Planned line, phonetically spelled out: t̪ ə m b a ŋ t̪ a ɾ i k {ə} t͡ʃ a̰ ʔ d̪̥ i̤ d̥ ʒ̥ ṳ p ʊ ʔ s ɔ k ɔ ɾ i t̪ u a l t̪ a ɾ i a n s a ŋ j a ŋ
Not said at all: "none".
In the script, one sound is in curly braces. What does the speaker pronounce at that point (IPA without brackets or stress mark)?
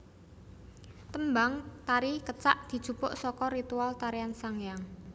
ə